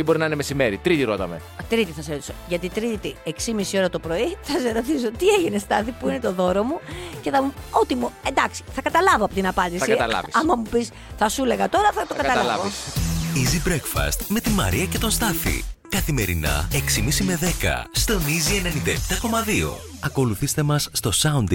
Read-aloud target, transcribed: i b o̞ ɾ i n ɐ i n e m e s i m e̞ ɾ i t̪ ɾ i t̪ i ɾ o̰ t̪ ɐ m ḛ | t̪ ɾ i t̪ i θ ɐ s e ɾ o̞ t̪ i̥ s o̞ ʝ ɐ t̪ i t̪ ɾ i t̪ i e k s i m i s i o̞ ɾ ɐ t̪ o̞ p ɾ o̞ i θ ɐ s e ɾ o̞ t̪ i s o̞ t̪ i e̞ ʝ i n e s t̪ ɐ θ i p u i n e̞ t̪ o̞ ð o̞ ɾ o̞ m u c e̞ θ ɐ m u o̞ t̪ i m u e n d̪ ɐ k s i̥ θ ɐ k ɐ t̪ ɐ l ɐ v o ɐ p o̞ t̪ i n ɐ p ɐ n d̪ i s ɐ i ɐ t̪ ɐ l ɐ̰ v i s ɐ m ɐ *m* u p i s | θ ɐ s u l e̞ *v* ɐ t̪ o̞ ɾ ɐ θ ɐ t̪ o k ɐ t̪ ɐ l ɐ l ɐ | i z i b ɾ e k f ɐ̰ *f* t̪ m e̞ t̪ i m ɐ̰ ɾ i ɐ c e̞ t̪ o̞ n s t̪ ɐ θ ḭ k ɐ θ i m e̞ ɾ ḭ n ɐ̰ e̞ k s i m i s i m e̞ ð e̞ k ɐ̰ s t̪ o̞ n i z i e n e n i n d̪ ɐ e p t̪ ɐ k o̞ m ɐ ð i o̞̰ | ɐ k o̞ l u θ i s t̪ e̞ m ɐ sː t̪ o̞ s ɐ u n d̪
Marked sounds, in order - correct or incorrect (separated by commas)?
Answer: correct, incorrect, incorrect